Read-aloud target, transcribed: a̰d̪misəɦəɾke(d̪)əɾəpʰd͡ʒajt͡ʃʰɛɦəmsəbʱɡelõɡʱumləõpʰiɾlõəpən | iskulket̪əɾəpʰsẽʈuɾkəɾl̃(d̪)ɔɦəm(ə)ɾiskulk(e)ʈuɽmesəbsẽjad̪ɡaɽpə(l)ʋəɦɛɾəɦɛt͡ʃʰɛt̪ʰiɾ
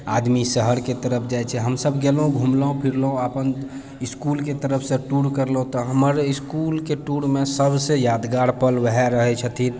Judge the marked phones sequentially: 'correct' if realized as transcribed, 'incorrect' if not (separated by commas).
incorrect, incorrect, correct, correct, correct